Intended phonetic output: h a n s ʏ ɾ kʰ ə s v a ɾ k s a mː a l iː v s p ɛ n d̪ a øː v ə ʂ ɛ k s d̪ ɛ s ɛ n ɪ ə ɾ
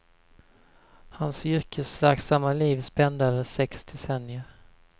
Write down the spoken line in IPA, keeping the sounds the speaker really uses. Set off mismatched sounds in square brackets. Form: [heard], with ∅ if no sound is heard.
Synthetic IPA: h a n s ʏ ɾ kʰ ə s v [æ] ɾ k s a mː a l iː v s p ɛ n d̪ a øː v ə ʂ ɛ k s d̪ ɛ s ɛ n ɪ ə ɾ